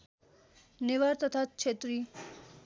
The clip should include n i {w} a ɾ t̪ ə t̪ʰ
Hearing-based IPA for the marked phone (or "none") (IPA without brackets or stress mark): ʋ